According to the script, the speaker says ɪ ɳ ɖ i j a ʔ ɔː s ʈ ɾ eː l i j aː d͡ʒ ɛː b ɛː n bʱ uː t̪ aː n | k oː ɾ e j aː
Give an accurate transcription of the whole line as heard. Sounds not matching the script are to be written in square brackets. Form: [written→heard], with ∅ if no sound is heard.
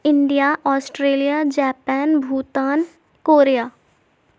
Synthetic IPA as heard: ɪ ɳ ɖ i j a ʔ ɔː s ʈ ɾ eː l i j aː d͡ʒ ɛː [b→p] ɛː n bʱ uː t̪ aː n | k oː ɾ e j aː